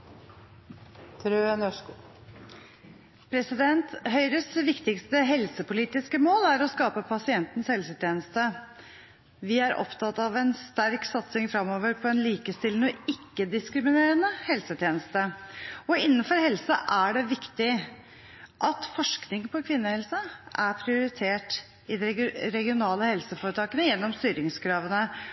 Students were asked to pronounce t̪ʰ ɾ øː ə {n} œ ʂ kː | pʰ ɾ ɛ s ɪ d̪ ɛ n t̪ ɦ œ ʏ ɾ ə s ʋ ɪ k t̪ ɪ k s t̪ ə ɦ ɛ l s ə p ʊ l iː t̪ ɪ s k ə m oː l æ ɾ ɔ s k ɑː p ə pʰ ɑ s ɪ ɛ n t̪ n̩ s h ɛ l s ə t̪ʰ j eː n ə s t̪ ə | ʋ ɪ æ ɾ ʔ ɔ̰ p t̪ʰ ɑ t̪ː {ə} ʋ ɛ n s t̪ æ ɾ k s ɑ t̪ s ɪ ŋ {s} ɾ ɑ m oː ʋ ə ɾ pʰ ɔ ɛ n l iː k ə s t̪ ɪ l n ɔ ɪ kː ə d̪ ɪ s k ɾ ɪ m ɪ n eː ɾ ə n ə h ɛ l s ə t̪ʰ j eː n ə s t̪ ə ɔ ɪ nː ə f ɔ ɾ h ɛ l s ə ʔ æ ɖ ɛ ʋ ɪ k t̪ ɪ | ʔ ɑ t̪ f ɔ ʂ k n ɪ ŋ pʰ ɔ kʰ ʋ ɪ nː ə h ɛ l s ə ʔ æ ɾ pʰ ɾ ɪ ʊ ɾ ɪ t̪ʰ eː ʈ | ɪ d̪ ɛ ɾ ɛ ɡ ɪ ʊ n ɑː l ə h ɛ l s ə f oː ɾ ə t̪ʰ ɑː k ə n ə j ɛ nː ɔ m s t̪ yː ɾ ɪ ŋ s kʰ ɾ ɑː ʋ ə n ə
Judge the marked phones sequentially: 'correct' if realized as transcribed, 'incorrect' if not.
correct, incorrect: ɑ, incorrect: f

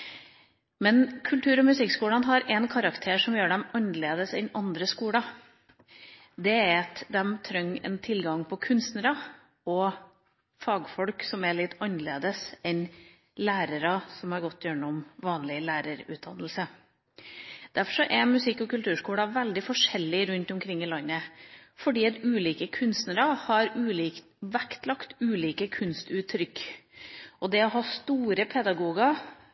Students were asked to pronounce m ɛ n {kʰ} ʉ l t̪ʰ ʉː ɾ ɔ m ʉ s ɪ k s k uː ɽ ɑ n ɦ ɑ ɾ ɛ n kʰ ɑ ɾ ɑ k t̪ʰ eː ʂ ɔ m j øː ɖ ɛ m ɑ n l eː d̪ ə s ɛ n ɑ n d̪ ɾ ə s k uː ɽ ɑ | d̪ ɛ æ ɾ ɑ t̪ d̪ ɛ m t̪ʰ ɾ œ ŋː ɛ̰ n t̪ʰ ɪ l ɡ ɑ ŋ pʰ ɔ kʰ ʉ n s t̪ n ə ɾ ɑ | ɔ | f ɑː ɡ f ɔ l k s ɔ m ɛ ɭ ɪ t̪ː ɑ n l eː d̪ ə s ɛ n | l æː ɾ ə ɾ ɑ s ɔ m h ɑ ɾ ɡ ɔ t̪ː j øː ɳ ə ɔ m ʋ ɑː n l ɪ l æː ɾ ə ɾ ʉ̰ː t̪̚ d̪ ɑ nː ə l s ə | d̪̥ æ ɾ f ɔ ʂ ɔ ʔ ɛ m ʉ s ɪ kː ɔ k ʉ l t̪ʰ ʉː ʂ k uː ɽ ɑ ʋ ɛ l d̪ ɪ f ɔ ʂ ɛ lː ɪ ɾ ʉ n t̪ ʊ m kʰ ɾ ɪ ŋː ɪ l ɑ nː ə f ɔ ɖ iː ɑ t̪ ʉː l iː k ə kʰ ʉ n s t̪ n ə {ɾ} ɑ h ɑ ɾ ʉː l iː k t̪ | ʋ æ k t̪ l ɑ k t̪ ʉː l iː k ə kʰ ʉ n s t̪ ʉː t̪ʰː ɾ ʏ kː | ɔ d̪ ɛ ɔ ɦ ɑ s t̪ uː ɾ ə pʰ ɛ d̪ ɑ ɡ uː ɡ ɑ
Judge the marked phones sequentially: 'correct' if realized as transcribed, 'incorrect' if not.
correct, correct

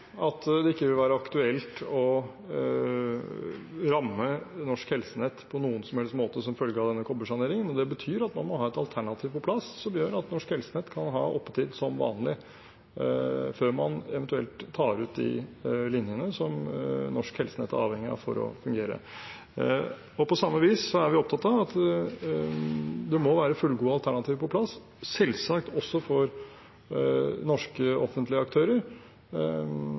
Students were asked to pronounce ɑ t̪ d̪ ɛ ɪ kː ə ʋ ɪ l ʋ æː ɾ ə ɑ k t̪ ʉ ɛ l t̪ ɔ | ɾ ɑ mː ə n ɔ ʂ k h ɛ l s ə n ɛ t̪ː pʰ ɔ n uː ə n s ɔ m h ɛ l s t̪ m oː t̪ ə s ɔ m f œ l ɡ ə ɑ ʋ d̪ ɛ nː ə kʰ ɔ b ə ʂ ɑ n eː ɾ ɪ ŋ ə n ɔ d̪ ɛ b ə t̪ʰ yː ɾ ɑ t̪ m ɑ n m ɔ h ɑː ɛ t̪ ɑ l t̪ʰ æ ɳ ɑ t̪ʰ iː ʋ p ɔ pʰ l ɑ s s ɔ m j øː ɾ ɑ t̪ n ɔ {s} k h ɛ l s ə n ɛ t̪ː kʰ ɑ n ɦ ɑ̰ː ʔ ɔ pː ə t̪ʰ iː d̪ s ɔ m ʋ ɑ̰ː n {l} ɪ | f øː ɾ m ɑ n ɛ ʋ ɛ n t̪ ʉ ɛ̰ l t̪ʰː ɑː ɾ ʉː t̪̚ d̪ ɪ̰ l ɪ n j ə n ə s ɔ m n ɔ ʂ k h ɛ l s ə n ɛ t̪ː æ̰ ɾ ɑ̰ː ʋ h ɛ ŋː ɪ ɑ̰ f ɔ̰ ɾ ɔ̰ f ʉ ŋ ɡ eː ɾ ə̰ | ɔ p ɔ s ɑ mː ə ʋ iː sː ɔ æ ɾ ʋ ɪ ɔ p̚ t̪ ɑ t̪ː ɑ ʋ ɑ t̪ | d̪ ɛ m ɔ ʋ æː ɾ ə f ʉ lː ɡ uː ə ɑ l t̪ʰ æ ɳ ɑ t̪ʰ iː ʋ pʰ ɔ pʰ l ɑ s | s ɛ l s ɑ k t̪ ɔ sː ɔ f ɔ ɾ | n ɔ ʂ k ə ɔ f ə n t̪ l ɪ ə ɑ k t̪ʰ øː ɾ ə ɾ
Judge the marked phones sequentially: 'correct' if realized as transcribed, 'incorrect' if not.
incorrect: ʂ, correct

